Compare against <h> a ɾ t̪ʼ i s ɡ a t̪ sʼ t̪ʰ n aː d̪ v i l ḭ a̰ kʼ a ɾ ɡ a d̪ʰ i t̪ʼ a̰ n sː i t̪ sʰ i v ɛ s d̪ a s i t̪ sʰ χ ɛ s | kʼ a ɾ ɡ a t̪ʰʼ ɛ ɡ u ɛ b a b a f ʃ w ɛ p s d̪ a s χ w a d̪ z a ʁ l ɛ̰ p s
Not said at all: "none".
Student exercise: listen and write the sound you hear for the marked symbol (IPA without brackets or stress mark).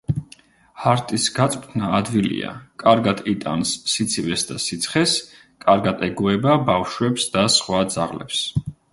h